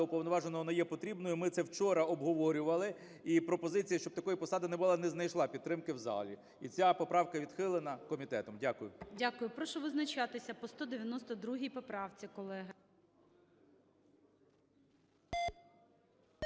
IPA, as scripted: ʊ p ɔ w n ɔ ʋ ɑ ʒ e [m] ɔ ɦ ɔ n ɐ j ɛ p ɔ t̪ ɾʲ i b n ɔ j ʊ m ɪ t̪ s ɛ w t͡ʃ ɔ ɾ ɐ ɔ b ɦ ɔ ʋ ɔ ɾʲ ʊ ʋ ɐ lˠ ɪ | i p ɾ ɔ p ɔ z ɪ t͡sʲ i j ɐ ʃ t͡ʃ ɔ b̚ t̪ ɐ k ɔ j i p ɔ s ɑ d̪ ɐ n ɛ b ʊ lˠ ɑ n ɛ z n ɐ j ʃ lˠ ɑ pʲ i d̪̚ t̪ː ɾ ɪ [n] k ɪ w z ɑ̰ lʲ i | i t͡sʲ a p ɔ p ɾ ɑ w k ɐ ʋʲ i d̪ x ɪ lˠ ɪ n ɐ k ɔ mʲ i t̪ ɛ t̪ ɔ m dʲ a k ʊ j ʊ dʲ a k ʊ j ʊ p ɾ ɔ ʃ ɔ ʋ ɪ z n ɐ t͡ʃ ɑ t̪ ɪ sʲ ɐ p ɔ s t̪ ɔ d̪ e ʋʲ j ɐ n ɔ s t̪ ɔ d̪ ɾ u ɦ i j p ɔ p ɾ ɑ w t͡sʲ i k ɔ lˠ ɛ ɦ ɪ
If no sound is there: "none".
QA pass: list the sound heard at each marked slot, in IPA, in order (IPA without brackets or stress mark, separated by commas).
n, m